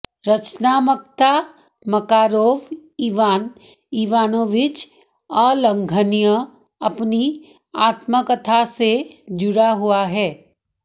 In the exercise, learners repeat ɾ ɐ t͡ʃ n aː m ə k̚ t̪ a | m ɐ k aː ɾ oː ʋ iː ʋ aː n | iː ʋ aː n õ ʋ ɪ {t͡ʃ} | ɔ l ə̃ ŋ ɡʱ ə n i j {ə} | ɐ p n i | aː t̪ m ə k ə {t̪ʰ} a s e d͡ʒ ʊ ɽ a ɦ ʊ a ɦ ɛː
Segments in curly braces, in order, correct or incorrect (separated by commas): correct, correct, correct